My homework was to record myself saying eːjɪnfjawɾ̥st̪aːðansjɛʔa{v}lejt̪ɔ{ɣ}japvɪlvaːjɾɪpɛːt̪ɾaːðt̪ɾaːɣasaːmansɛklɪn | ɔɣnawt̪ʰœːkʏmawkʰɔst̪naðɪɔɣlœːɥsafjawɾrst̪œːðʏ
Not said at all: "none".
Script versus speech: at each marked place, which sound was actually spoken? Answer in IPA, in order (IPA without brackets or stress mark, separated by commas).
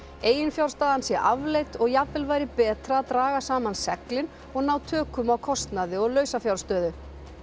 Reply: v, ɣ